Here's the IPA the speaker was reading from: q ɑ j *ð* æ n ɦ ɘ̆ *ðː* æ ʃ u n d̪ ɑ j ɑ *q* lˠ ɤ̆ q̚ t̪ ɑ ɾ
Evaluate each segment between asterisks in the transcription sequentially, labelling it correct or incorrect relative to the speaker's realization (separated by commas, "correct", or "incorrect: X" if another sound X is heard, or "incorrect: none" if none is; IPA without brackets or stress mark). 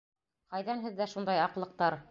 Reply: correct, correct, correct